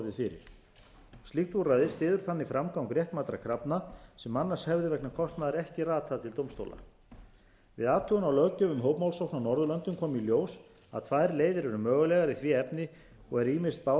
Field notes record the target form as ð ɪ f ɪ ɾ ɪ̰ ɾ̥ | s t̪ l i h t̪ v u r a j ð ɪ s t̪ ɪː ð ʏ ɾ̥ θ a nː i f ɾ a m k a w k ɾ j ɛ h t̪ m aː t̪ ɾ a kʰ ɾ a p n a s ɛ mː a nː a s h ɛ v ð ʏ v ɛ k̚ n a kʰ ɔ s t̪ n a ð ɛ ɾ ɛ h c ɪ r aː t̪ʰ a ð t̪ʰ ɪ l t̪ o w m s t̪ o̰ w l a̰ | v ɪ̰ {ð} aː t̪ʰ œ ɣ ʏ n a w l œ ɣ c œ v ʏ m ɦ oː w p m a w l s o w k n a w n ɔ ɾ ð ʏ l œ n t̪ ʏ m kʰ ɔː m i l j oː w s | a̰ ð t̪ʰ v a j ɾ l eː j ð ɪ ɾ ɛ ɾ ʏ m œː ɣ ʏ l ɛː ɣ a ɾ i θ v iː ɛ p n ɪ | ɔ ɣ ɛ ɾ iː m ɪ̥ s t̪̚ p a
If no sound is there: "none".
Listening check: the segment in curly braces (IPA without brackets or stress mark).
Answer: ð